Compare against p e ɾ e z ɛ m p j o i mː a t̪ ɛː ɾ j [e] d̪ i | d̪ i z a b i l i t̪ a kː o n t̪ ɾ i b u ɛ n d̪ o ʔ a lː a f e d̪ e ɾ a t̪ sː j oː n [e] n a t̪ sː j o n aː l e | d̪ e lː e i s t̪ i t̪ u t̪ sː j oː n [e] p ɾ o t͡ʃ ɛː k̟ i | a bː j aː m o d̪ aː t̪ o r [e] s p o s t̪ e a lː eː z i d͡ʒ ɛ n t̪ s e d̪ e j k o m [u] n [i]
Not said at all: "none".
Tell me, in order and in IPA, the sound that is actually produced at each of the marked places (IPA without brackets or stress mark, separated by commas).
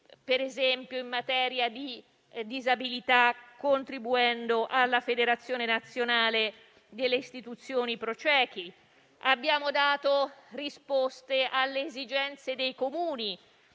a, e, i, i, uː, i